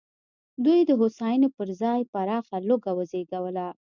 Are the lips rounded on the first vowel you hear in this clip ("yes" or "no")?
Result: yes